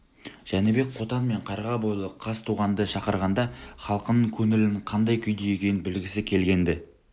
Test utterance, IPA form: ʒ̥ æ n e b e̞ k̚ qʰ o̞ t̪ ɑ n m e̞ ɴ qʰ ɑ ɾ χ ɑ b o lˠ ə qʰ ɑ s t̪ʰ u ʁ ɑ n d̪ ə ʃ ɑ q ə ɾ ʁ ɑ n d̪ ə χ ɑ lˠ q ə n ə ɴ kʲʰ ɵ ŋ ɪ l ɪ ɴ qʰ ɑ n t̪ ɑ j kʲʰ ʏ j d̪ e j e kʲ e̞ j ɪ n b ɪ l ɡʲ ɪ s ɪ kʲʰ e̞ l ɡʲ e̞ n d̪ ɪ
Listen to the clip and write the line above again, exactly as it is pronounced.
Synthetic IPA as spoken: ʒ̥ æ n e b e̞ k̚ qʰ o̞ t̪ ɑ n m e̞ ɴ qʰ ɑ ɾ ʁ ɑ b o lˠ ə qʰ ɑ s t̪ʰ u ʁ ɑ n d̪ ə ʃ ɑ q ə ɾ ʁ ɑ n d̪ ɑ χ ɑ lˠ q ə n ə ɴ kʲʰ ɵ ŋ ɪ l ɪ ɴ qʰ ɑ n d̪ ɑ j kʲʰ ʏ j d̪ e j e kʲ e̞ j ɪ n b ɪ l ɡʲ ɪ s ɪ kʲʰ e̞ l ɡʲ e̞ n d̪ ɪ